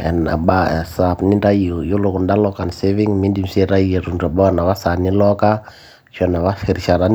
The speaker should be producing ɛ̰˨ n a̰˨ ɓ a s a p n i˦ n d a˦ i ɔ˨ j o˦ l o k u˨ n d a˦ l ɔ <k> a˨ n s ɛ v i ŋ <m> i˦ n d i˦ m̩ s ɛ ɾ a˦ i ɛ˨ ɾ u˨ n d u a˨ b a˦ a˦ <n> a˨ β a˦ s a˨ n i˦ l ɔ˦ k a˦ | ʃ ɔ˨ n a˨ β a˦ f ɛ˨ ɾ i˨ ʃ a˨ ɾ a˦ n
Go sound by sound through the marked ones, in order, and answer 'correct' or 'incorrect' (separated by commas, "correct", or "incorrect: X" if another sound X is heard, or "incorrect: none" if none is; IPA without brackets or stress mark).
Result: correct, correct, correct